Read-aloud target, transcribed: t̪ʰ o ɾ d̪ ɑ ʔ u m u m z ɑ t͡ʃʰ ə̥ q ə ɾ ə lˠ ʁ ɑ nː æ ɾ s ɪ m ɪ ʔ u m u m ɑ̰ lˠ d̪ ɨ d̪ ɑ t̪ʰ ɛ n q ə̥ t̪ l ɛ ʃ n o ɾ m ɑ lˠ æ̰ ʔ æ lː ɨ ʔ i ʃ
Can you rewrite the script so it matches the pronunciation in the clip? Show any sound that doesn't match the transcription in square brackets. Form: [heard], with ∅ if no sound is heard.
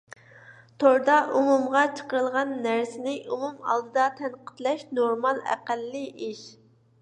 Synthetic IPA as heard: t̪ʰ o ɾ d̪ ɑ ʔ u m u m [ʁ] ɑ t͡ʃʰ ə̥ q ə ɾ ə lˠ ʁ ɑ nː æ ɾ s ɪ [n] ɪ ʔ u m u m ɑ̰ lˠ d̪ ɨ d̪ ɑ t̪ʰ ɛ n q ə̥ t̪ l ɛ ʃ n o ɾ m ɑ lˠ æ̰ [q] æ lː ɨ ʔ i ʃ